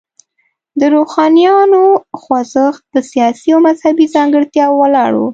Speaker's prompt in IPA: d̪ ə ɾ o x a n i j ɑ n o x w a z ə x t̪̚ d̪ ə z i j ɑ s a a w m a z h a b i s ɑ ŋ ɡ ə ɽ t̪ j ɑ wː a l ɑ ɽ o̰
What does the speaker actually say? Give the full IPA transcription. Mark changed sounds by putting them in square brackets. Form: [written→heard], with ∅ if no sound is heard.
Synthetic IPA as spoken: d̪ ə ɾ o x [a→ɑ] n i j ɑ n o x w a z ə x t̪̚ d̪ ə [z→s] i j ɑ s [a→i] a w m a z h a b i [s→z] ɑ ŋ ɡ ə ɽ t̪ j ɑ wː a l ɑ ɽ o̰